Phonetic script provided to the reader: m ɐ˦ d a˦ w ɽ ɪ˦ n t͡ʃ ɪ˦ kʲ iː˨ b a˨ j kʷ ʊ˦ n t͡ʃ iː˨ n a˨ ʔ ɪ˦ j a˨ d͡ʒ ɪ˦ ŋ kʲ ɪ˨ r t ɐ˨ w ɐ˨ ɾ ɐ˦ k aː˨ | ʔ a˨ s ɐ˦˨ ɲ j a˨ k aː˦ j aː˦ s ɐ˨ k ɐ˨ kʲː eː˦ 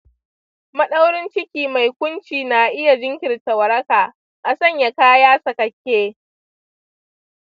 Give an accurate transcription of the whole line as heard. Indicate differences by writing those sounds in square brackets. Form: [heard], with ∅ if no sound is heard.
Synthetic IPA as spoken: m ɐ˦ [ɗ] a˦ w ɽ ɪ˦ n t͡ʃ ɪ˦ kʲ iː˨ [m] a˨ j kʷ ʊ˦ n t͡ʃ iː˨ n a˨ ʔ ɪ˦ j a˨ d͡ʒ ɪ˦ ŋ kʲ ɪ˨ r t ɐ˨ w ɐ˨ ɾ ɐ˦ k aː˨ | ʔ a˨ s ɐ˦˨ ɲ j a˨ k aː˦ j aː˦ s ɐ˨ k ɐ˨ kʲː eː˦